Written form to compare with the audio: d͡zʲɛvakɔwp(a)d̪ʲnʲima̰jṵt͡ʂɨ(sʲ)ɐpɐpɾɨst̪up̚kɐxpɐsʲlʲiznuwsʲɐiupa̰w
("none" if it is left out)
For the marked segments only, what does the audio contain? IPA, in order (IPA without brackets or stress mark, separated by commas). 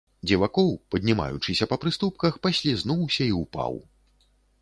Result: ɐ, sʲ